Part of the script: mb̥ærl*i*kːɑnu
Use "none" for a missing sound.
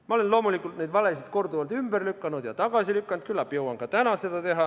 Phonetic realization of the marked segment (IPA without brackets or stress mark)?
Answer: y